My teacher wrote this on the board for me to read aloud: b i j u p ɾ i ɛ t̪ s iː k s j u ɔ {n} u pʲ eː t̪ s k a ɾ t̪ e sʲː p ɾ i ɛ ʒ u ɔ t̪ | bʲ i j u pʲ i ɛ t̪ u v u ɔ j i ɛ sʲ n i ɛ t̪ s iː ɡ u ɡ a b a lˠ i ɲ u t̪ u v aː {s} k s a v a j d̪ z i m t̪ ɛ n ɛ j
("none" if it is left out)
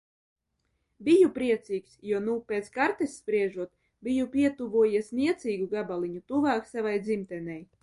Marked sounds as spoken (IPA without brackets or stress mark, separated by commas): n, none